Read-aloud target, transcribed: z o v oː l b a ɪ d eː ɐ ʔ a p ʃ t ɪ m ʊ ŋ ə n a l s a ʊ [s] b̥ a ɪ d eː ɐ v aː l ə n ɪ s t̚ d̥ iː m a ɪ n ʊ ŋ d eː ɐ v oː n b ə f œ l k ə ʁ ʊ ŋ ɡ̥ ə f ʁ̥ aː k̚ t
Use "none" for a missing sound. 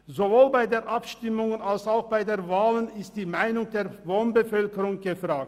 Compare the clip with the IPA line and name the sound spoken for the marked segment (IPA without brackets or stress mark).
x